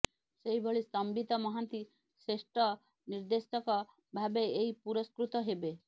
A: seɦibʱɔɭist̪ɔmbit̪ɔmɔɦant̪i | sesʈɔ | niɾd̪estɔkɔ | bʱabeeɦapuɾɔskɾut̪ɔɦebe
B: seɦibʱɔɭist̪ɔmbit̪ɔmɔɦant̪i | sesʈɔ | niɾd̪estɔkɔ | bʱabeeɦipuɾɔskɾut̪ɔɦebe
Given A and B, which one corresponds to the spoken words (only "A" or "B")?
B